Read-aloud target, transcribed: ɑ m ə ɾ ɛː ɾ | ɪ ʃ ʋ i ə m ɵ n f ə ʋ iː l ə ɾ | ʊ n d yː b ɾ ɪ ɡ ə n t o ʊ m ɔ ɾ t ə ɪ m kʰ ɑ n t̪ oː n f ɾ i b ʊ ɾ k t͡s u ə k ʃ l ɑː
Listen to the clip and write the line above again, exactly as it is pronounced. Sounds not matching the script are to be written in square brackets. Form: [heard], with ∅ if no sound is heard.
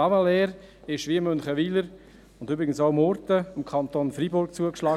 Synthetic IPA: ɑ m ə [l] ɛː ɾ | ɪ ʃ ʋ i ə m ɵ n [χ] ə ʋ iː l ə ɾ | ʊ n d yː b ɾ ɪ ɡ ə n [s] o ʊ m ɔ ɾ t ə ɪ m kʰ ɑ n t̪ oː n f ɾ i b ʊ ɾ k t͡s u ə k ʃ l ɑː